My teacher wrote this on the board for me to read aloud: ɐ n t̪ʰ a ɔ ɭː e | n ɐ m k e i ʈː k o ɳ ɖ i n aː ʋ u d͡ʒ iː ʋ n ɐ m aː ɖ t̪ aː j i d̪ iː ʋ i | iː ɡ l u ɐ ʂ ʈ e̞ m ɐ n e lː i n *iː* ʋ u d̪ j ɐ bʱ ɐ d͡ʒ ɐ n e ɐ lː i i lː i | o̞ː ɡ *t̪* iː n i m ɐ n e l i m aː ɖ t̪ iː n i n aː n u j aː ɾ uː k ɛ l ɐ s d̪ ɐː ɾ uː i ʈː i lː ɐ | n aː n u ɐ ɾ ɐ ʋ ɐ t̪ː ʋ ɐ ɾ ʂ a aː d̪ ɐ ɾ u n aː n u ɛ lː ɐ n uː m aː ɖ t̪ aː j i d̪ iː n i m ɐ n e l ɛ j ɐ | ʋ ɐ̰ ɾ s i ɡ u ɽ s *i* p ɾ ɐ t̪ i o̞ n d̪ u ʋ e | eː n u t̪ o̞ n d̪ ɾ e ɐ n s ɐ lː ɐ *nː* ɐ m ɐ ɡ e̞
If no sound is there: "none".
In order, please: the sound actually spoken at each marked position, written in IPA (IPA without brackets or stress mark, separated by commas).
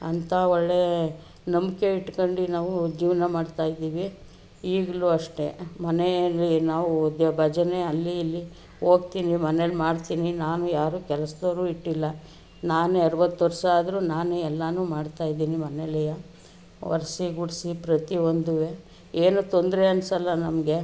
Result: aː, t̪, i, n